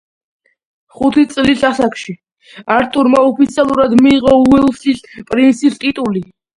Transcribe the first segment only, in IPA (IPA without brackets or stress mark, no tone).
χ